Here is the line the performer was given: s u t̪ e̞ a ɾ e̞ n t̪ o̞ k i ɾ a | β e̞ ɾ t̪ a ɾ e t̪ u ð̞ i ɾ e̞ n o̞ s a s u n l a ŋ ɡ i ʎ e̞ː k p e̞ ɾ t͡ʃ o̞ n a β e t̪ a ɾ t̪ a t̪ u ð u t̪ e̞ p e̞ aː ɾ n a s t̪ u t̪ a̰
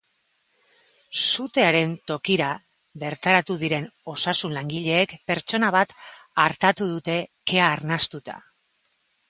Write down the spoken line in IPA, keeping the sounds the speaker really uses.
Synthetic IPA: s u t̪ e̞ a ɾ e̞ n t̪ o̞ k i ɾ a | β e̞ ɾ t̪ a ɾ a t̪ u ð̞ i ɾ e̞ n o̞ s a s u n l a ŋ ɡ i ʎ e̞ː k p e̞ ɾ t͡ʃ o̞ n a β a t̪ a ɾ t̪ a t̪ u ð u t̪ e̞ k e̞ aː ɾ n a s t̪ u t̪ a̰